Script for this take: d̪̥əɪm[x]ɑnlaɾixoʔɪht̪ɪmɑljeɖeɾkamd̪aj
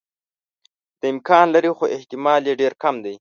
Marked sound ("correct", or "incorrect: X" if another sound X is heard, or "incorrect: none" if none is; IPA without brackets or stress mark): incorrect: k